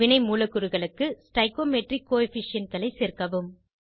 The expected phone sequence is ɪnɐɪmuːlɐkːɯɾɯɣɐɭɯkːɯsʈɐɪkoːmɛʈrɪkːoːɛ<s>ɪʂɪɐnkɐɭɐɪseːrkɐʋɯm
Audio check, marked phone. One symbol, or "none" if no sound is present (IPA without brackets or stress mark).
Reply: f